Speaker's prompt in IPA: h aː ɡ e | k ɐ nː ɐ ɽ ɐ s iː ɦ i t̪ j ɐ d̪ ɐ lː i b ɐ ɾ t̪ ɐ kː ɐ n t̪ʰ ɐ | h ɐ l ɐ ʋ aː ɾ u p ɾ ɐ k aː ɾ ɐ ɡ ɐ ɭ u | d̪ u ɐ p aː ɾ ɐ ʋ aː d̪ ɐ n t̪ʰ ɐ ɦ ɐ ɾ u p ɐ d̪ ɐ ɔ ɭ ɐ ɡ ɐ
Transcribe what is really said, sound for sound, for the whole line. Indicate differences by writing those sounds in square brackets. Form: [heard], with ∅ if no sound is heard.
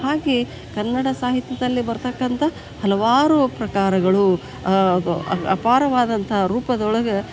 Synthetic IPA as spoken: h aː ɡ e | k ɐ nː ɐ ɽ ɐ s [aː] ɦ i t̪ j ɐ d̪ ɐ lː i b ɐ ɾ t̪ ɐ kː ɐ n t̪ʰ ɐ | h ɐ l ɐ ʋ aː ɾ u p ɾ ɐ k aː ɾ ɐ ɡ ɐ ɭ u | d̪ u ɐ p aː ɾ ɐ ʋ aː d̪ ɐ n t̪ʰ ɐ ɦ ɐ ɾ [uː] p ɐ d̪ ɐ ɔ ɭ ɐ ɡ ɐ